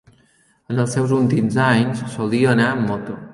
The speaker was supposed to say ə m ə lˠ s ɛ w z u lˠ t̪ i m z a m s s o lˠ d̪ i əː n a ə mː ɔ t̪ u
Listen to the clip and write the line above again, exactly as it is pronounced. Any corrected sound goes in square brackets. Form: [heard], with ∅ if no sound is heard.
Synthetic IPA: ə [n] ə lˠ s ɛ w z u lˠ t̪ i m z a [ɲ] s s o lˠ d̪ i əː n a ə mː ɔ t̪ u